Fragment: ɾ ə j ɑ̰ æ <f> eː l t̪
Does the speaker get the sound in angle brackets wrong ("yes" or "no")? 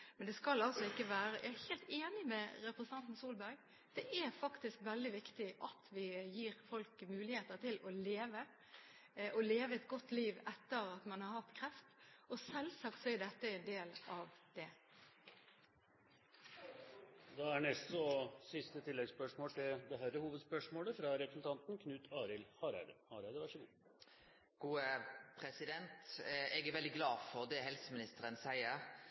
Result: yes